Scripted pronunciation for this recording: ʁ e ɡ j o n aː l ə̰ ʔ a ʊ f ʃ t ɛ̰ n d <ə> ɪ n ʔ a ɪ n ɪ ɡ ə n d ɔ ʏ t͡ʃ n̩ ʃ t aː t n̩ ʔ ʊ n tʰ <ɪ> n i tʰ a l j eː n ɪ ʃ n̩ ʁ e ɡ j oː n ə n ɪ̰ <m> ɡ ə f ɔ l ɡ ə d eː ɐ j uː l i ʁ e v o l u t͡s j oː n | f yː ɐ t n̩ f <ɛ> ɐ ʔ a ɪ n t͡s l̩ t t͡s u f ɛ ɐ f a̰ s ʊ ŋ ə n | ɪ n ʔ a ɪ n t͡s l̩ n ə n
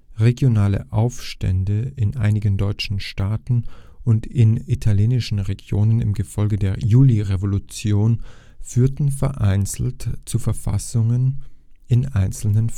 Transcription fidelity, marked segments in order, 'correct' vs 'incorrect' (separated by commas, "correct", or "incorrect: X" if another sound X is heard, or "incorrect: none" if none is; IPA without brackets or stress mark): correct, correct, correct, correct